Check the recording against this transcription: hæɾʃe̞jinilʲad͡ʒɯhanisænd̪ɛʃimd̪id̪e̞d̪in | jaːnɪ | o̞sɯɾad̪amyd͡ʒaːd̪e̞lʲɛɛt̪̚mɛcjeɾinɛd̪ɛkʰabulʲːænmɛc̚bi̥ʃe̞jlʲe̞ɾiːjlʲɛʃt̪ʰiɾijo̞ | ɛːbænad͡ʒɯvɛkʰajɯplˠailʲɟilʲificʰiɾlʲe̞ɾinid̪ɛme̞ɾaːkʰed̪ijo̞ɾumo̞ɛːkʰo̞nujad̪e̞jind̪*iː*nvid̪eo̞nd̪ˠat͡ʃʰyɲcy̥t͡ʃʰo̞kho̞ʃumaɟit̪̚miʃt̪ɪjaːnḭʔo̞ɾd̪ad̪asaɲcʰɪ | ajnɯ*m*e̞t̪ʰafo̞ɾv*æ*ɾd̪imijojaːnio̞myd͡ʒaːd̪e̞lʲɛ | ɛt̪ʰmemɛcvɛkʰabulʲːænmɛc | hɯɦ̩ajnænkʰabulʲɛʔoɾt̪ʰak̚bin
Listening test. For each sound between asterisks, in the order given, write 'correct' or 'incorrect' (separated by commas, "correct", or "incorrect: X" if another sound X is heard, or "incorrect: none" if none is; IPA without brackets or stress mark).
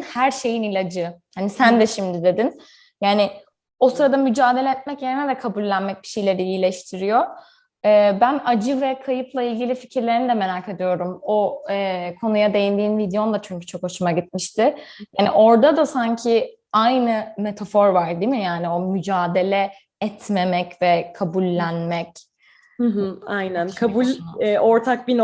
correct, correct, incorrect: a